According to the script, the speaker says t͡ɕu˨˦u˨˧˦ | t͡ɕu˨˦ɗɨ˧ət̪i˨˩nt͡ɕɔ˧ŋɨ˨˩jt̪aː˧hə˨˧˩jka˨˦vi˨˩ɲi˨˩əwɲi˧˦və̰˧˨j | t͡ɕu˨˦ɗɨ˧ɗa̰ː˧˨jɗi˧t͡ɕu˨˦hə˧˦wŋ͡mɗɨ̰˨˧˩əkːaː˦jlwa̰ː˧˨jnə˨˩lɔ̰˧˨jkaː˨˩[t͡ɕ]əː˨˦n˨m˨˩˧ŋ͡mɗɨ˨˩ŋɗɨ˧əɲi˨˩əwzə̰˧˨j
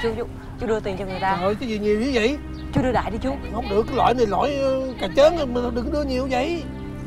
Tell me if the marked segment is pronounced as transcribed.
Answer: yes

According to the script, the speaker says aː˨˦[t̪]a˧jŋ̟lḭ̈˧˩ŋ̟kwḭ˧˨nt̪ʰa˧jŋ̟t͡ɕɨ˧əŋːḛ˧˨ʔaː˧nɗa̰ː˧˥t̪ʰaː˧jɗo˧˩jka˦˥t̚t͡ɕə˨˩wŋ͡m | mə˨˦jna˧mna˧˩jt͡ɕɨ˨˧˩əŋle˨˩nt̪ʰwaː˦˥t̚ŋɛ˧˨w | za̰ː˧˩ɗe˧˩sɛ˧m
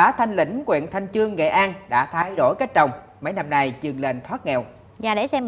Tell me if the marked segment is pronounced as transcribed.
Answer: no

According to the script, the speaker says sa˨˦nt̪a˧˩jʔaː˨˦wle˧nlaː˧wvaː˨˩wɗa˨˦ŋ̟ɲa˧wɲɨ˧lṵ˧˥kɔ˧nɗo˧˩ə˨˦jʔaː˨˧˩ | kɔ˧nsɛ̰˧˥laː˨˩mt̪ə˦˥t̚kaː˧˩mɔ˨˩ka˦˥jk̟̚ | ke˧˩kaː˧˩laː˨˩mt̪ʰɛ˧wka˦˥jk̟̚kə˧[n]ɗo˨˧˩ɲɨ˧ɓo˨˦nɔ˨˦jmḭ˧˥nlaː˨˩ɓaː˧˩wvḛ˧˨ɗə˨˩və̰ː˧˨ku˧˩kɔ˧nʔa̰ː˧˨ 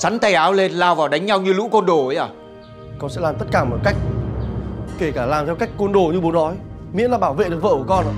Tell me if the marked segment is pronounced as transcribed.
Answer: yes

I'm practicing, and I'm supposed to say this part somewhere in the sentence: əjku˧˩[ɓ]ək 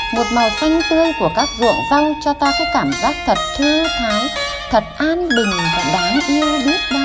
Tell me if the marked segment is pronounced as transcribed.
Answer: no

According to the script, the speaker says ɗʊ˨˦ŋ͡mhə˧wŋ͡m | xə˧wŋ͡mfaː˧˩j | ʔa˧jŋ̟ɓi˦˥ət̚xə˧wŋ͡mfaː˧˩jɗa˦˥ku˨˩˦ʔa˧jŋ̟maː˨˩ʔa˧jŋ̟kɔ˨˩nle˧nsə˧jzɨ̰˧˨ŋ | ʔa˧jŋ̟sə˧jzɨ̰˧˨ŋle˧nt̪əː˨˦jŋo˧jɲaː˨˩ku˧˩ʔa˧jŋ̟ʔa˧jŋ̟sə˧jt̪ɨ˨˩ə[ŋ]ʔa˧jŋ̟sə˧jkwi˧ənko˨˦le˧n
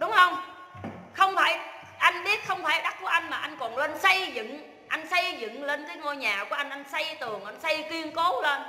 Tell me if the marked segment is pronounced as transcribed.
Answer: yes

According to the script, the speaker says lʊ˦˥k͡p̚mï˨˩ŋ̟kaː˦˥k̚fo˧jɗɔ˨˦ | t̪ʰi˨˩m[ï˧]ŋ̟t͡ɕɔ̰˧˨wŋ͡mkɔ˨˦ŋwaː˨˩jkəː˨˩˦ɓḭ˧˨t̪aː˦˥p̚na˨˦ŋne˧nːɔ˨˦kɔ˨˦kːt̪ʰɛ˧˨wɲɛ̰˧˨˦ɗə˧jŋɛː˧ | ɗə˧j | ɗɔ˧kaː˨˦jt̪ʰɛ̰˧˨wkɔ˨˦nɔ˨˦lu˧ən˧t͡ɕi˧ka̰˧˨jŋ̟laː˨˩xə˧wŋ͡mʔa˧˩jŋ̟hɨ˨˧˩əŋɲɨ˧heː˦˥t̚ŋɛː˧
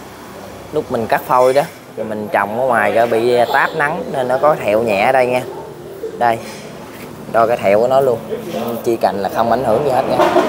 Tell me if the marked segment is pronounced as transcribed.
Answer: no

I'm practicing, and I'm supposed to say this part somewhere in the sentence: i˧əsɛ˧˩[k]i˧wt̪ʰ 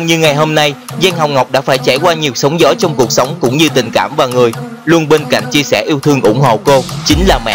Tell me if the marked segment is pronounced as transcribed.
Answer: no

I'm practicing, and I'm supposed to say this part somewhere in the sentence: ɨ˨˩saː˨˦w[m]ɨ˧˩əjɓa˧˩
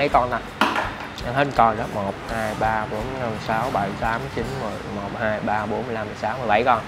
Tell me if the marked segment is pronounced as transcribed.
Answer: yes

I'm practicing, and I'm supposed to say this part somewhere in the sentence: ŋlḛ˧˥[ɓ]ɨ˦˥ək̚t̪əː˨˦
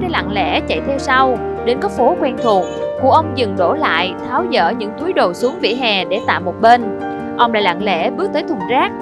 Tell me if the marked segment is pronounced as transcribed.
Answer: yes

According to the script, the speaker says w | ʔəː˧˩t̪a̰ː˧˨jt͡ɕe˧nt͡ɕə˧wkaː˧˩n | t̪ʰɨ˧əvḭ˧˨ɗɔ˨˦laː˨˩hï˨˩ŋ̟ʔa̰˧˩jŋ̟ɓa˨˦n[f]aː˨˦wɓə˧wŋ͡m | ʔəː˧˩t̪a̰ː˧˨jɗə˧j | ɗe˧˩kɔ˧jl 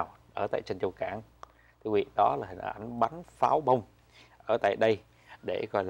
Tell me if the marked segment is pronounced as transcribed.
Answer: yes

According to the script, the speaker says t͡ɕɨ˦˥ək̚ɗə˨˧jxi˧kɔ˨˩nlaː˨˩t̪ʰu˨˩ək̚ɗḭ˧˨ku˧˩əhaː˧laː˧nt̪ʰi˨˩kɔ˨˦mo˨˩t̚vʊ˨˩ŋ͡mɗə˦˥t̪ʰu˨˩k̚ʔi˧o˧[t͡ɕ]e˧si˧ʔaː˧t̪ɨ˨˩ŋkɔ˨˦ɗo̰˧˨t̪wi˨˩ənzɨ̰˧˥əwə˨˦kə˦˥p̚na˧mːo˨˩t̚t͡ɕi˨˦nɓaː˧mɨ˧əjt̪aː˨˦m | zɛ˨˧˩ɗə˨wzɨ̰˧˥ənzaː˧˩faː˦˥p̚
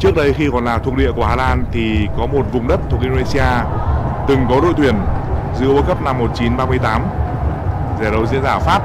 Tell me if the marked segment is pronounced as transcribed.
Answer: no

